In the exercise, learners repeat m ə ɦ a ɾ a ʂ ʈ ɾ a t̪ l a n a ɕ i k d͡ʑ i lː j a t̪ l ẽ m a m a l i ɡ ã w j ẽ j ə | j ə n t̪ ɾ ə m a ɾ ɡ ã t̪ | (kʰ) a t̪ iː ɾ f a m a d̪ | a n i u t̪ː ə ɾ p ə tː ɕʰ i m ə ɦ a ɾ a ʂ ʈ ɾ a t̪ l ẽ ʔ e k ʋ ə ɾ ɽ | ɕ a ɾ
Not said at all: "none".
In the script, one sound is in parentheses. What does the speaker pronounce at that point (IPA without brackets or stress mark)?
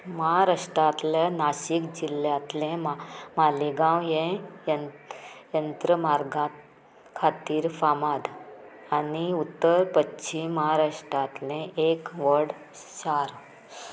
kʰ